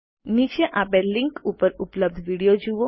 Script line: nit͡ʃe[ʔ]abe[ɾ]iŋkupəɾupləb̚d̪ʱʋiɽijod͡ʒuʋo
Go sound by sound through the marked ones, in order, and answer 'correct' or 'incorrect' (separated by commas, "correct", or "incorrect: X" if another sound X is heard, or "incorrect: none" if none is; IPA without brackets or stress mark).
correct, incorrect: l